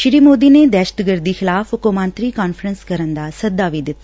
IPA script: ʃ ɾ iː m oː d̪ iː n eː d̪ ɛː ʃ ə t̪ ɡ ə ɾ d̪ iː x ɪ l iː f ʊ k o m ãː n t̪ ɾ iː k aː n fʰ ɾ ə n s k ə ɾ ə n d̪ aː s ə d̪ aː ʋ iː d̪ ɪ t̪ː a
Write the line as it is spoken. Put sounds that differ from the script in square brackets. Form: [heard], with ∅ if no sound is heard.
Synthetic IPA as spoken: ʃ ɾ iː m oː d̪ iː n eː d̪ ɛː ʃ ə t̪ ɡ ə ɾ d̪ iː x ɪ l [aː] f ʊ k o m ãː n t̪ ɾ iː k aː n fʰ ɾ ə n s k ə ɾ ə n d̪ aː s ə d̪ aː ʋ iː d̪ ɪ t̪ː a